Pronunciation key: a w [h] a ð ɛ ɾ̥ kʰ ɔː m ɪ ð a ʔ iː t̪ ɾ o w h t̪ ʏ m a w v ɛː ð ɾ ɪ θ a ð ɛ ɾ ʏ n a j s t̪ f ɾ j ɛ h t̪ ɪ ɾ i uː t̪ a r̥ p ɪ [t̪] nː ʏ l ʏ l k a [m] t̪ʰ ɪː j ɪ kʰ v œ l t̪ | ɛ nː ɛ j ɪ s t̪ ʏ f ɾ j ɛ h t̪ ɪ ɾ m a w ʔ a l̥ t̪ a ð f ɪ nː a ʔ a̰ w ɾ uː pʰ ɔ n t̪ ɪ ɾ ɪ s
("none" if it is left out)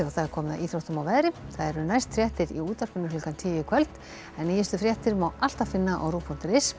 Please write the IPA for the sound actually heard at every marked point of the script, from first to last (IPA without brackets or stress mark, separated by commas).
θ, none, n